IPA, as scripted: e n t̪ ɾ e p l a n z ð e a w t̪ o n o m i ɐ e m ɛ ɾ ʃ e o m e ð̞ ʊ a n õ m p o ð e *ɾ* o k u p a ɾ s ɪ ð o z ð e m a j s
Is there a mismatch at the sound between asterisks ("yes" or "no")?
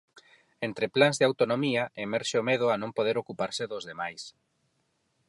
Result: no